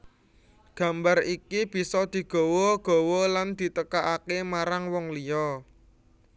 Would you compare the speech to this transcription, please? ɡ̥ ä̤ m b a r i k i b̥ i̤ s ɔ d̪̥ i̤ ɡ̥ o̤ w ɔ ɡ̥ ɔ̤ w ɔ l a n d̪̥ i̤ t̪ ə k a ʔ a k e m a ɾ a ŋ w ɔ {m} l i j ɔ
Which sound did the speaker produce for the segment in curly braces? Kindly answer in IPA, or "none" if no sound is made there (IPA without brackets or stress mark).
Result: ŋ